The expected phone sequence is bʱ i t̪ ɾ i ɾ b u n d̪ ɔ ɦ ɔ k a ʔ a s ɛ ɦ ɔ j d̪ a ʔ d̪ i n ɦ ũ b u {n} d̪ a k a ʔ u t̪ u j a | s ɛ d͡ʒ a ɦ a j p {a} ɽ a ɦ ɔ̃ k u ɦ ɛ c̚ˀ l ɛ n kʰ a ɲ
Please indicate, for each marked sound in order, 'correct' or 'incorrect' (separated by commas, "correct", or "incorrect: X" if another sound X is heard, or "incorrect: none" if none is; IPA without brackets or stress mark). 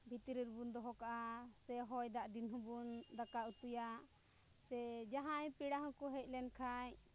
correct, incorrect: i